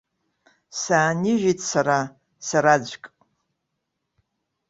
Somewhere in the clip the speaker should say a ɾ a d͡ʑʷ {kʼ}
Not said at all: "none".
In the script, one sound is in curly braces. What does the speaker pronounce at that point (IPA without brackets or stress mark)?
kʼ